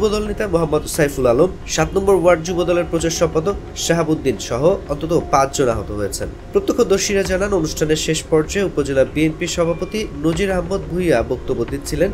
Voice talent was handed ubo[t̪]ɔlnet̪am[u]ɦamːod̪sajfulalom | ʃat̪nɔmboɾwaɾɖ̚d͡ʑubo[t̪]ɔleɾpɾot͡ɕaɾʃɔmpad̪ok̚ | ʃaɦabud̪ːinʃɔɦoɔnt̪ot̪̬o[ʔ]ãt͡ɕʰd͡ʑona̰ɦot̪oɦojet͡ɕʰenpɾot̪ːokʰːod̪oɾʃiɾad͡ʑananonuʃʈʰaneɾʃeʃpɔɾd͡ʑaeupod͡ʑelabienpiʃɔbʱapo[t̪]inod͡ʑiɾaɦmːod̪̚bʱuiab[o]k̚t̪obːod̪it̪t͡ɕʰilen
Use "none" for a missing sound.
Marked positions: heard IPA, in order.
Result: d̪, o, d̪, p, t̪, o

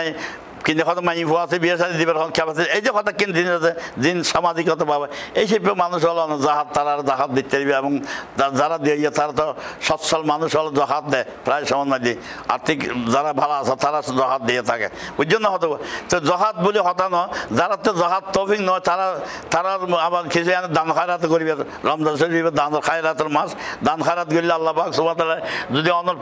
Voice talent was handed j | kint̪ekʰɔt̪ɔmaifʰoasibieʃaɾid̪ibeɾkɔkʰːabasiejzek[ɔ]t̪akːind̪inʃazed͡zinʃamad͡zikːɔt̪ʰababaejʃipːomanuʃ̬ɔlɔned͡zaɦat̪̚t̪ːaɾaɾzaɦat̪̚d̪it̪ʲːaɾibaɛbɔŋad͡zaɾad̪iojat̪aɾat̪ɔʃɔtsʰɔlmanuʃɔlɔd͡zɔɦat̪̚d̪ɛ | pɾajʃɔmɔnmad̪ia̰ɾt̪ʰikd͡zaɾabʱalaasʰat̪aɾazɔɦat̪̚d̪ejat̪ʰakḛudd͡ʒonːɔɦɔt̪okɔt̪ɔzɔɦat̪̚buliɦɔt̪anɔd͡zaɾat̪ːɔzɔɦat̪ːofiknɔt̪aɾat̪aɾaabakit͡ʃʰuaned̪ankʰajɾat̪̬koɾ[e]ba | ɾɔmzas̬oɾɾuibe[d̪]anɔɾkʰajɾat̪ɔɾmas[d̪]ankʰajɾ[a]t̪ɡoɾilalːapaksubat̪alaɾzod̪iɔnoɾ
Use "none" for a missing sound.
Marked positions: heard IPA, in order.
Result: ɔ, i, d̪, d̪, a

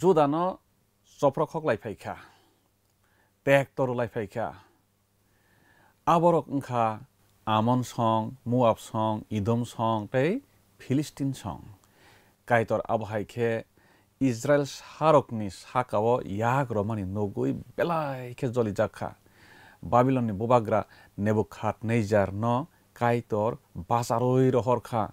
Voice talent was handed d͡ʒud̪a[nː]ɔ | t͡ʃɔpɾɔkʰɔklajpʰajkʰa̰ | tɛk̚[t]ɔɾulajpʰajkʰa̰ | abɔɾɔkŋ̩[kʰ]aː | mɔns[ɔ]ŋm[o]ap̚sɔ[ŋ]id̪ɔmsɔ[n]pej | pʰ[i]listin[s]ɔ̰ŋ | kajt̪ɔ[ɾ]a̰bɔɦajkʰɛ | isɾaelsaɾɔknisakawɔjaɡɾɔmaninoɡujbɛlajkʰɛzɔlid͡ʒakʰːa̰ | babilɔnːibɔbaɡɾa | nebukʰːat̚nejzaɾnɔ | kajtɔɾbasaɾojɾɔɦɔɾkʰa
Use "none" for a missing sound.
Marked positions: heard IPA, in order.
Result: n, t, kʰ, ɔ, u, ŋ, ŋ, i, s, ɾ

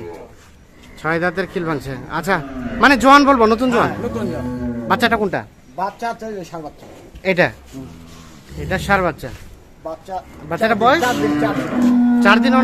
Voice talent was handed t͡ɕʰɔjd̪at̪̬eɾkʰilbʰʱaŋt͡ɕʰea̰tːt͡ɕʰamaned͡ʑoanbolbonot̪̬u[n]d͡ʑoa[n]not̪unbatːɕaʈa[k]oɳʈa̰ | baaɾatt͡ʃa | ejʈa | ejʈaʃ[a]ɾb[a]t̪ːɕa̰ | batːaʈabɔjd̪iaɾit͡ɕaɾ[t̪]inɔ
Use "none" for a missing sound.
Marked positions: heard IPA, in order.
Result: n, n, k, a, a, d̪

